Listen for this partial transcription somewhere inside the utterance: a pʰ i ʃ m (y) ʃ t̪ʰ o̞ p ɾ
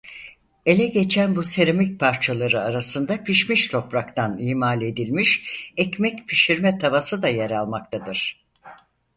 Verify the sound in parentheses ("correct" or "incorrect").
incorrect